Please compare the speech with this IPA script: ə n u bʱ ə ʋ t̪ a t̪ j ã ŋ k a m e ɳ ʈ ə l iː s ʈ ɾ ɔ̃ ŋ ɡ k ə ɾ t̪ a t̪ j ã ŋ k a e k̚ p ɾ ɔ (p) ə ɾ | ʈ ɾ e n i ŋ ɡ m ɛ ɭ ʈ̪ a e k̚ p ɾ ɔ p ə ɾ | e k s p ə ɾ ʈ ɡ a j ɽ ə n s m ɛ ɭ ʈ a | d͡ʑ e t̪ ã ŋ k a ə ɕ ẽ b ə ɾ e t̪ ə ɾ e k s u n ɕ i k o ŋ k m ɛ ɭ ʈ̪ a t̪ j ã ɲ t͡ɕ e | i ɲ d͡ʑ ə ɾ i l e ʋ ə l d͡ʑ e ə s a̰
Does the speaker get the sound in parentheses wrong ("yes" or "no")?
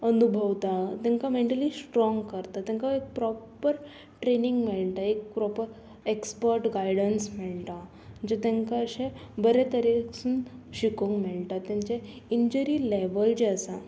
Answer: no